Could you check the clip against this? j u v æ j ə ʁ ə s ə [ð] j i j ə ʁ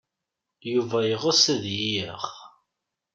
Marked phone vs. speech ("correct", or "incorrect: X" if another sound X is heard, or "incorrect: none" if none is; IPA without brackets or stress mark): correct